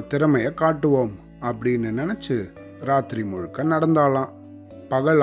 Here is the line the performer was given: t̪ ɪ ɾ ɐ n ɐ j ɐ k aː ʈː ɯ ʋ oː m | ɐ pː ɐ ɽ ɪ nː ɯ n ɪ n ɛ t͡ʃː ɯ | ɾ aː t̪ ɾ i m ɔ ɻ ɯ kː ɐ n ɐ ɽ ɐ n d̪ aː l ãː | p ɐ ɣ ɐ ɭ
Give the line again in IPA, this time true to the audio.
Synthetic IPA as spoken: t̪ ɪ ɾ ɐ m ɐ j ɐ k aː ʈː ɯ ʋ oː m | ɐ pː ɐ ɽ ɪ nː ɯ n ɪ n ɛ t͡ʃː ɯ | ɾ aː t̪ ɾ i m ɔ ɻ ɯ kː ɐ n ɐ ɽ ɐ n d̪ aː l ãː | p ɐ ɣ ɐ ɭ